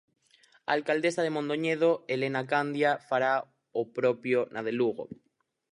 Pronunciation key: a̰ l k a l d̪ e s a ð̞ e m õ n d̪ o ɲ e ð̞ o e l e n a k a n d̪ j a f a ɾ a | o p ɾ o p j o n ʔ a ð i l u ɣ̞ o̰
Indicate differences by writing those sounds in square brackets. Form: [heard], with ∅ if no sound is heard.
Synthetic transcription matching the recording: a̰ l k a l d̪ e s a ð̞ e m õ n d̪ o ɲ e ð̞ o e l e n a k a n d̪ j a f a ɾ a | o p ɾ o p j o n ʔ a ð [e] l u ɣ̞ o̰